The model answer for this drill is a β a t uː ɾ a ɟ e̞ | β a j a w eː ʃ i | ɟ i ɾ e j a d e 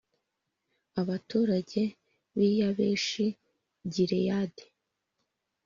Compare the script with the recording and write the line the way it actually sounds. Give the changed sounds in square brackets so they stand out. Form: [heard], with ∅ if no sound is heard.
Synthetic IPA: a β a t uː ɾ a ɟ e̞ | β [i] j a [β] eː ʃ i | ɟ i ɾ e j a d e

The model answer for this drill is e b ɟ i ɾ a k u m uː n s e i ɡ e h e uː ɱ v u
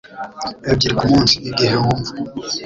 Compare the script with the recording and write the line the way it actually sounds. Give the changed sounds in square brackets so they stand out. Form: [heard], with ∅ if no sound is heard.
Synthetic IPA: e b ɟ i ɾ [i] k u m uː n s [i] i ɡ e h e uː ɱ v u

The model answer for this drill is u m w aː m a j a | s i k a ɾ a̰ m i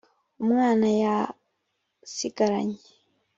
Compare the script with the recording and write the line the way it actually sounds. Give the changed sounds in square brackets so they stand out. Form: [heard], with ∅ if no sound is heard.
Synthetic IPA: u m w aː [n] a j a | s i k a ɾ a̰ [ɲ] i

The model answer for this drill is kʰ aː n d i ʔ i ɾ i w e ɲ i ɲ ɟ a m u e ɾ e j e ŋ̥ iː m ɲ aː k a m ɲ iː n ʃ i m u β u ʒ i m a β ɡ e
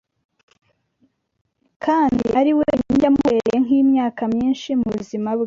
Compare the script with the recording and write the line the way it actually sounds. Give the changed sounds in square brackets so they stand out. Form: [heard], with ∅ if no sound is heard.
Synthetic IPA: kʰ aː n d i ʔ [a] ɾ i w e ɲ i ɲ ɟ a m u e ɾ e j e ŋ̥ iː m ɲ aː k a m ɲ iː n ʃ i m u β u [z] i m a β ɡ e

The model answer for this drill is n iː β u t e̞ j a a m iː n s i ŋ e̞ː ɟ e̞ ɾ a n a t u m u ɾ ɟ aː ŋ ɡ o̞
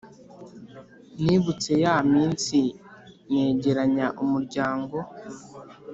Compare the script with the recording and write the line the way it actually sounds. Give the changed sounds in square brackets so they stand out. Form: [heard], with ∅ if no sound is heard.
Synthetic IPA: n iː β u [t͡s] e̞ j a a m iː n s i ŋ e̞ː ɟ e̞ ɾ a [ɲ] a [ʔ] u m u ɾ ɟ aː ŋ ɡ o̞

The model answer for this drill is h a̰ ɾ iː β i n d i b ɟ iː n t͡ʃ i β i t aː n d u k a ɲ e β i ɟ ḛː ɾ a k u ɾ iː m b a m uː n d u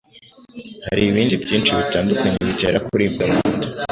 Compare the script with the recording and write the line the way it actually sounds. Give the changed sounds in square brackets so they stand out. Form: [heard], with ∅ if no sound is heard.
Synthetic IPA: h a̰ ɾ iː β [iː] n d i b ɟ iː n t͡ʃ i β i t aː n d u k a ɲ e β i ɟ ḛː ɾ a k u ɾ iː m [ɡ] a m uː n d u

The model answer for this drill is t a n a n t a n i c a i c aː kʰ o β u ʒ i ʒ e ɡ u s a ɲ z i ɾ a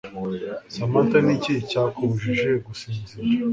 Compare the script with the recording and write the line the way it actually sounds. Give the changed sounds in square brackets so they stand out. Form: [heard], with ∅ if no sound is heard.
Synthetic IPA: [s] a [m] a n t a n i c [i] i c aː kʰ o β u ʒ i ʒ e ɡ u s [i] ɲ z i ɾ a

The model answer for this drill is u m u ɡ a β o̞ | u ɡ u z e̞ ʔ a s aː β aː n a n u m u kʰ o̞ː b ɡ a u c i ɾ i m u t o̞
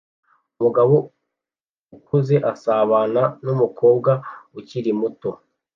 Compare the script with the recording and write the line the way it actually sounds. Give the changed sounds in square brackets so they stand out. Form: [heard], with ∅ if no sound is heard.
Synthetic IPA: u m u ɡ a β o̞ | u [k] u z e̞ ʔ a s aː β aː n a n u m u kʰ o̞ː b ɡ a u c i ɾ i m u t o̞

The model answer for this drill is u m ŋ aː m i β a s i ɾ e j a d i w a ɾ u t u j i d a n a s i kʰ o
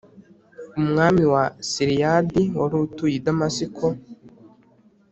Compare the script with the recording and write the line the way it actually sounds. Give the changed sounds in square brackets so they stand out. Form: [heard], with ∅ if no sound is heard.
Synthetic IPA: u m ŋ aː m i [w] a s i ɾ [i] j a d i w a ɾ u t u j i d a [m] a s i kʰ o

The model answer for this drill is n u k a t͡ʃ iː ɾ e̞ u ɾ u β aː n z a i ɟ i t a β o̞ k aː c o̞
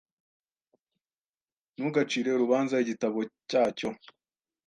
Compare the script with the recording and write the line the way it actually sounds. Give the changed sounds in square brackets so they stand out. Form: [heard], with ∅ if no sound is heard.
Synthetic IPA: n u [ɡ] a t͡ʃ iː ɾ e̞ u ɾ u β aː n z a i ɟ i t a β o̞ [c] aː c o̞

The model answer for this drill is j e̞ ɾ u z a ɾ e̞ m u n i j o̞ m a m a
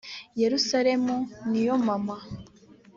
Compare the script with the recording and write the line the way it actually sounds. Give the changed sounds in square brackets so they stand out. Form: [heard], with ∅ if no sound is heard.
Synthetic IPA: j e̞ ɾ u [s] a ɾ e̞ m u n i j o̞ m a m a

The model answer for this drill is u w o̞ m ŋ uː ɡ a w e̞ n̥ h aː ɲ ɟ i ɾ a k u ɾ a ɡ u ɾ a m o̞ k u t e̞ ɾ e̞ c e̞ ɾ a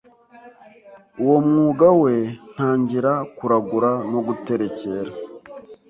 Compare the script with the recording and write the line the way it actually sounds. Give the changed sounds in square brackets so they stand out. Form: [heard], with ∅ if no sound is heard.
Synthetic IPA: u w o̞ m ŋ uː ɡ a w e̞ n̥ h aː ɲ ɟ i ɾ a k u ɾ a ɡ u ɾ a [n] o̞ [ɡ] u t e̞ ɾ e̞ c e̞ ɾ a

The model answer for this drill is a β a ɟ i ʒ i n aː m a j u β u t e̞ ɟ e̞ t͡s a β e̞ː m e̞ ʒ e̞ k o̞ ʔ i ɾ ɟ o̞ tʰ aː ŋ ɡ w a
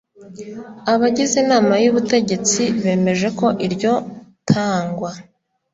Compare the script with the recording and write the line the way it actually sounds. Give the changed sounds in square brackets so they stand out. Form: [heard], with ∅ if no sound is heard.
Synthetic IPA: a β a ɟ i [z] i n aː m a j u β u t e̞ ɟ e̞ t͡s [i] β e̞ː m e̞ ʒ e̞ k o̞ ʔ i ɾ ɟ o̞ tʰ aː ŋ ɡ w a

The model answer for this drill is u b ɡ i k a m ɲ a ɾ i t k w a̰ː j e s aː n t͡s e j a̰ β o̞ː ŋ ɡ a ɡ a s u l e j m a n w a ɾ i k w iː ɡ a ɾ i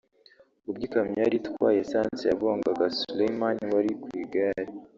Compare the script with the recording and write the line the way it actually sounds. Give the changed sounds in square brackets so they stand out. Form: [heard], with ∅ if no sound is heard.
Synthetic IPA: u b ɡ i k a m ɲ a ɾ i t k w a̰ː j e s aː n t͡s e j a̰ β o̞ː ŋ ɡ a ɡ a s u l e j m a n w a ɾ i k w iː ɡ a ɾ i

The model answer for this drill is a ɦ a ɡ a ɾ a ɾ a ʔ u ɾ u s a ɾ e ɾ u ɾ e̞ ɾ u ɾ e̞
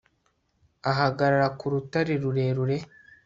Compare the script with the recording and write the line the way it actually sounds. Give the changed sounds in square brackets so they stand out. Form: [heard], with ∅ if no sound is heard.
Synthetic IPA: a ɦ a ɡ a ɾ a ɾ a [k] u ɾ u [t] a ɾ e ɾ u ɾ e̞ ɾ u ɾ e̞

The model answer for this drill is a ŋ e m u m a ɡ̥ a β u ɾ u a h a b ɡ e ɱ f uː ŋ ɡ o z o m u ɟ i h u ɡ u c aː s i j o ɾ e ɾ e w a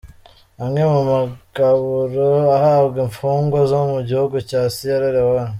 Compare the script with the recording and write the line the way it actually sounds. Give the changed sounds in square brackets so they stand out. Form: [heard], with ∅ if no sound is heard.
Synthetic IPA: a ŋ e m u m a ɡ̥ a β u ɾ [o] a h a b ɡ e ɱ f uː ŋ ɡ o z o m u ɟ i h u ɡ u c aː s i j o ɾ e ɾ e w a

